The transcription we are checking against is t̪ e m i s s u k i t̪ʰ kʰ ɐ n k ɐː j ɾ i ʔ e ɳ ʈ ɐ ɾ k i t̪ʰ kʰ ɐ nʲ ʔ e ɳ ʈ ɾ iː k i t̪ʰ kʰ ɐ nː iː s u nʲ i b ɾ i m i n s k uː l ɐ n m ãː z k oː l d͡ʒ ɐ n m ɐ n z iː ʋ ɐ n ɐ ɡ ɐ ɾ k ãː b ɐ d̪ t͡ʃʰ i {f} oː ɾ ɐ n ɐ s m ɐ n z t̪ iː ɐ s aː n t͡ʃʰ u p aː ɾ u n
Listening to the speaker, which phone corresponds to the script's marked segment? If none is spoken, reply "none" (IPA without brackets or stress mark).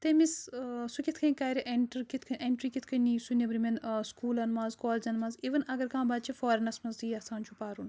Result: f